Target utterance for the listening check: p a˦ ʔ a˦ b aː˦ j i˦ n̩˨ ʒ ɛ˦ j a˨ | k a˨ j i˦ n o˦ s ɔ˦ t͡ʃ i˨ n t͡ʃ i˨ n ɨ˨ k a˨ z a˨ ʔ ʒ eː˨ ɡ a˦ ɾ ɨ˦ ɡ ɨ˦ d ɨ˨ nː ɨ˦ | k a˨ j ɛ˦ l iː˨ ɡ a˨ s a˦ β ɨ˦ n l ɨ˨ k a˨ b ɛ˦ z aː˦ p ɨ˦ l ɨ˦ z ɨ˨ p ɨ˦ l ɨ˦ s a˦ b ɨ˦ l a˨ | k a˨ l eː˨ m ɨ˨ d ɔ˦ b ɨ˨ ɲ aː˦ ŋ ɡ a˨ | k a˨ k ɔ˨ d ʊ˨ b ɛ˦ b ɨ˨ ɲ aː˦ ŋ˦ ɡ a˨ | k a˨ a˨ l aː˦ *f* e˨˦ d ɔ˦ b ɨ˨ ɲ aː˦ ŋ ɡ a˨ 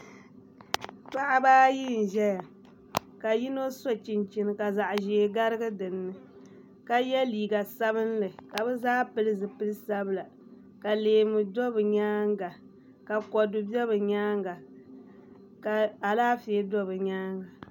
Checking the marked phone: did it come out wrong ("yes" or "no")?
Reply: no